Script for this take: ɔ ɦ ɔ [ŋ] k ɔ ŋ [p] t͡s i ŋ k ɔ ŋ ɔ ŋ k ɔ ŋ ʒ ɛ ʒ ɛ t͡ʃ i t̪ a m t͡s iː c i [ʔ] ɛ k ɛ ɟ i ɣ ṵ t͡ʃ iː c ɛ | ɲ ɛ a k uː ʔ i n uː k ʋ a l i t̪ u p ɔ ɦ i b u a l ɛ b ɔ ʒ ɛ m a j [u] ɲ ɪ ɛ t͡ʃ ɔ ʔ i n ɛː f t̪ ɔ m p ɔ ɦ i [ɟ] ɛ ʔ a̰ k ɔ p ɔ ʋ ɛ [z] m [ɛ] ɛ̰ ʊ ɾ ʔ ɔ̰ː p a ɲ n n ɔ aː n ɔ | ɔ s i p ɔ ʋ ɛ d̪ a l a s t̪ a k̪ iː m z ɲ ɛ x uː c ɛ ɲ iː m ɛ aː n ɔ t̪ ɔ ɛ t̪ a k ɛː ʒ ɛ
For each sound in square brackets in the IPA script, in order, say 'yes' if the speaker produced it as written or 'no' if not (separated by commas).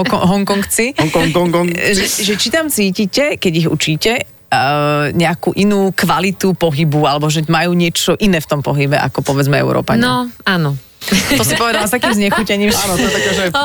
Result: yes, no, no, no, no, no, yes